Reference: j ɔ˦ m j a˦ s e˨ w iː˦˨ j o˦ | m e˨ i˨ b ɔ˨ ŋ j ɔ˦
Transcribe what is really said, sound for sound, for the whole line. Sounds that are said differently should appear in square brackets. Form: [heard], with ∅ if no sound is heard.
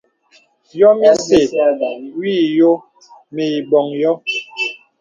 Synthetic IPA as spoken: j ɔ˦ m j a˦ s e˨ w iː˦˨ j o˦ | m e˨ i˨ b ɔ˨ ŋ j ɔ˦